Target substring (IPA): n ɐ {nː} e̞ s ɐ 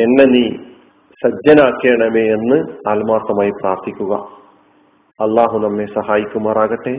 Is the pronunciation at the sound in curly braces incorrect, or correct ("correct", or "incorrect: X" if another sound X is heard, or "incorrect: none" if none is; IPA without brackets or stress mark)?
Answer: incorrect: mː